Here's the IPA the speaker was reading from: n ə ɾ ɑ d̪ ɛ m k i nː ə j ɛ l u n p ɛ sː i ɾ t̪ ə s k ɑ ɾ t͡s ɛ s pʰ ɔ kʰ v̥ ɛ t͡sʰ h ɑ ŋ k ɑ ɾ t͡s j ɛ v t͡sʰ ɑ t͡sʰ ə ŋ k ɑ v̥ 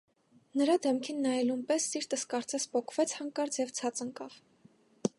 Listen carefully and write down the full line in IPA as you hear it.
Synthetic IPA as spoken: n ə ɾ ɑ d̪ ɛ m kʰ i nː ɑ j ɛ l u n p ɛ sː i ɾ t̪ ə s k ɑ ɾ t͡s ɛ s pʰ ɔ kʰ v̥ ɛ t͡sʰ h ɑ ŋ k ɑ ɾ t͡s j ɛ v t͡sʰ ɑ t͡s ə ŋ k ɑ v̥